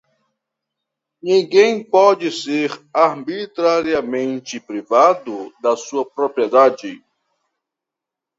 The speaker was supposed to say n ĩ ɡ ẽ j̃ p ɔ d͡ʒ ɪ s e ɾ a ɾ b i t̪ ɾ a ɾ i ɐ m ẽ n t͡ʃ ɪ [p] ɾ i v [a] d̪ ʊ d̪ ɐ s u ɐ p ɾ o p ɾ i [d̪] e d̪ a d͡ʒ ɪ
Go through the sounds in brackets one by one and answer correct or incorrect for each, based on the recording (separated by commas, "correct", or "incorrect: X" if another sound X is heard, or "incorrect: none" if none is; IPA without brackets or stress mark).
correct, correct, incorrect: none